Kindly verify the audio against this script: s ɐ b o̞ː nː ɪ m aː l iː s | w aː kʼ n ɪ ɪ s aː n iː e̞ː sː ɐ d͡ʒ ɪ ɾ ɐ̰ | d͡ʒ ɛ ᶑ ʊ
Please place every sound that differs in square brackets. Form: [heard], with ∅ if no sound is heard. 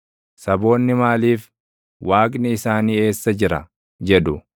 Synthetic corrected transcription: s ɐ b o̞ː nː ɪ m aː l iː [f] | w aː kʼ n ɪ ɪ s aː n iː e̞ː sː ɐ d͡ʒ ɪ ɾ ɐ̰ | d͡ʒ ɛ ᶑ ʊ